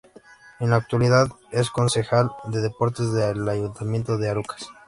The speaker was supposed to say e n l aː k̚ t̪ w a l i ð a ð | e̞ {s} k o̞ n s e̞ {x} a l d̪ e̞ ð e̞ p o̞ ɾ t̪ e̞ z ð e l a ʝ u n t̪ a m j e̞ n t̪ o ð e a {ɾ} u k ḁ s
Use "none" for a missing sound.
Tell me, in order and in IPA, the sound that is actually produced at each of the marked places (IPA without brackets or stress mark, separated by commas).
s, x, ɾ